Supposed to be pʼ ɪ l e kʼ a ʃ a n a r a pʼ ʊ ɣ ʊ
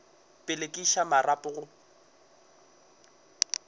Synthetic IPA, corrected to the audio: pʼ ɪ l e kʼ i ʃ a m a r a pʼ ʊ ɣ ʊ